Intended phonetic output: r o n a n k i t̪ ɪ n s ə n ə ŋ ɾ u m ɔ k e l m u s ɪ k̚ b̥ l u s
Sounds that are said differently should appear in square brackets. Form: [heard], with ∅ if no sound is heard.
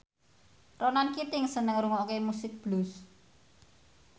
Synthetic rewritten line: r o n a n k i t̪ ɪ [ŋ] s ə n ə ŋ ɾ u [ŋ] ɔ k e [∅] m u s ɪ k̚ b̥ l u s